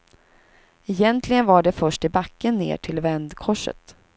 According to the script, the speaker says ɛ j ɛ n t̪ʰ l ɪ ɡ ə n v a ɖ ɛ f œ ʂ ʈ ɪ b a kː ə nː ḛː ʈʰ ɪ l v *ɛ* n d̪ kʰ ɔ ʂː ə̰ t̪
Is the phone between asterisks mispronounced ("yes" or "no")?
no